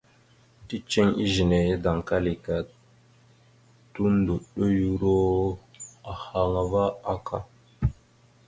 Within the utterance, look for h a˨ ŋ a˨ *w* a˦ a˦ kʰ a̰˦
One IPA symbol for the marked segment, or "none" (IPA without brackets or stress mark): v